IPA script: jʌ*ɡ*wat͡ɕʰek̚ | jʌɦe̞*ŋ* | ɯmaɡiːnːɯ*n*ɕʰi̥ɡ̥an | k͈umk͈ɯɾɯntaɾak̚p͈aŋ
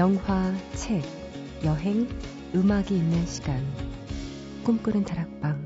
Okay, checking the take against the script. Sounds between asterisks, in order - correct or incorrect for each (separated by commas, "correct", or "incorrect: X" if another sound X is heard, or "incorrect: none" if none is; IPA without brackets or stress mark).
incorrect: ŋ, correct, correct